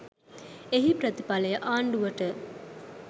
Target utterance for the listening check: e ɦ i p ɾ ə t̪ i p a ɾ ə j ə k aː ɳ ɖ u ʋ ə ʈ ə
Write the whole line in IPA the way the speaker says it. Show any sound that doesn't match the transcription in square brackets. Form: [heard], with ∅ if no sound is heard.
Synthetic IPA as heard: e ɦ i p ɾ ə t̪ i p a [l] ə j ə [ʔ] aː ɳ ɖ u ʋ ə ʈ ə